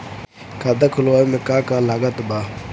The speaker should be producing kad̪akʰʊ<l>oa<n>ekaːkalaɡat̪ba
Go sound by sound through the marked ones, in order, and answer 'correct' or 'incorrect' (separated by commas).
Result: correct, incorrect